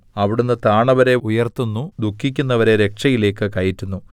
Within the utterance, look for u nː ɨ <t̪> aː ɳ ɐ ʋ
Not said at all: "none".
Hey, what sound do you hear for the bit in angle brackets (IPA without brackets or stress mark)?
t̪